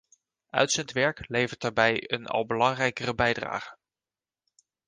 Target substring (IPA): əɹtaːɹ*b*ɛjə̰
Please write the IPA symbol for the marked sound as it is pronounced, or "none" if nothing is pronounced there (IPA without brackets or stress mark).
b